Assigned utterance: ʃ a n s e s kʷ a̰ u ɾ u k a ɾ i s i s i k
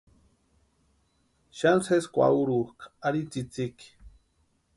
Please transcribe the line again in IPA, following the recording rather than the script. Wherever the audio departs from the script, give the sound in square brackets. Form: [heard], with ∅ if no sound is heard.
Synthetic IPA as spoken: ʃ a n s e s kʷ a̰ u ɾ u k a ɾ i [t͡s] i [t͡s] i k